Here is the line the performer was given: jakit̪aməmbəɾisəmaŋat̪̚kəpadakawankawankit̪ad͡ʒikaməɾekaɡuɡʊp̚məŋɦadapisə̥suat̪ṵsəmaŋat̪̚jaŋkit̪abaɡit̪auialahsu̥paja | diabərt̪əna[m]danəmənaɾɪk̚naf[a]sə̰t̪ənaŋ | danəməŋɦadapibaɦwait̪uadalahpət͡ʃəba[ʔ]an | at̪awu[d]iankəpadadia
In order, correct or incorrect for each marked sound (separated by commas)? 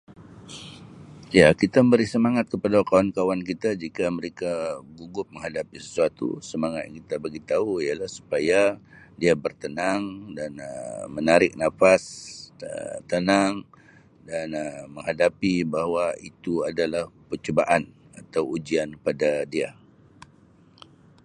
incorrect, correct, correct, incorrect